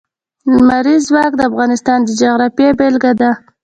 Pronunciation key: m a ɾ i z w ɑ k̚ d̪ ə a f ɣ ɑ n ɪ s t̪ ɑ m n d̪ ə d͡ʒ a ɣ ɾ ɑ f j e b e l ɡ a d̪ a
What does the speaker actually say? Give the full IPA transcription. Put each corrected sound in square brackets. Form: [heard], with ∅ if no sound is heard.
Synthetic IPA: m a ɾ i z w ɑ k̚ d̪ ə a f ɣ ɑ n ɪ s t̪ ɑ [∅] n d̪ ə d͡ʒ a ɣ ɾ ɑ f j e b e l ɡ a d̪ a